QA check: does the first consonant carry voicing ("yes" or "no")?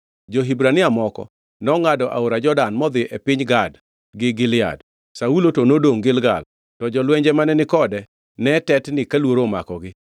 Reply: yes